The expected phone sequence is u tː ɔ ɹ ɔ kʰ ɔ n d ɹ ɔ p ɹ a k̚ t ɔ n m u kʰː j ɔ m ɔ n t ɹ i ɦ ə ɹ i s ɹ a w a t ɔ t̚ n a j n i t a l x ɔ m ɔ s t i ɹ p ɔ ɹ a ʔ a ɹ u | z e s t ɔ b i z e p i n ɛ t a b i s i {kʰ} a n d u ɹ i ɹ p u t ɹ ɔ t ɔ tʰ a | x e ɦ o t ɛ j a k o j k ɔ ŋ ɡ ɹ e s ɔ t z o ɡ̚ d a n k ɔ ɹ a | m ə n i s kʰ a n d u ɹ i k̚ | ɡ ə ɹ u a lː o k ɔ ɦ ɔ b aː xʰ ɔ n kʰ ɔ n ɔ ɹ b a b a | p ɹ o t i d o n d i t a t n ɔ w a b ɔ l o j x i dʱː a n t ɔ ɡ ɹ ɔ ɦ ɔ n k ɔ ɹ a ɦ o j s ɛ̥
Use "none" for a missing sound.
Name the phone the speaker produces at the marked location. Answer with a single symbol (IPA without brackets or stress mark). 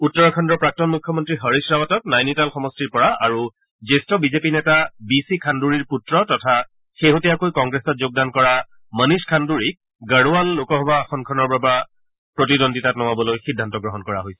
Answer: kʰ